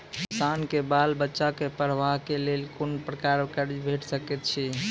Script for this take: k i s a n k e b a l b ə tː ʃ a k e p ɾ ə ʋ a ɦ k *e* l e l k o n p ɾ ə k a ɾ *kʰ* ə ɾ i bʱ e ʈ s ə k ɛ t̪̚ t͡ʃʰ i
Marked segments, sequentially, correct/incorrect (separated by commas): correct, incorrect